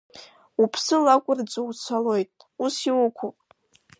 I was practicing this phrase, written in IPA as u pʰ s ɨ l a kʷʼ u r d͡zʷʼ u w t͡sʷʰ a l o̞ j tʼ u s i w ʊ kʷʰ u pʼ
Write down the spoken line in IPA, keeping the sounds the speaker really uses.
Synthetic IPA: u pʰ s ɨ l a kʷʼ ʊ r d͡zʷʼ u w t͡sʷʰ a l o̞ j tʼ u s i w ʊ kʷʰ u pʼ